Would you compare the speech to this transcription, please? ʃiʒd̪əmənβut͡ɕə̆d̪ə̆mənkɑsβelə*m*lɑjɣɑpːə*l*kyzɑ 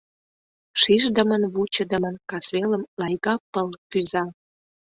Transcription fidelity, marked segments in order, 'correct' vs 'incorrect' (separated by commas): correct, correct